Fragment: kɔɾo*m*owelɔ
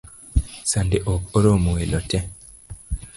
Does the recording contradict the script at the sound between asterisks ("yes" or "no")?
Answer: no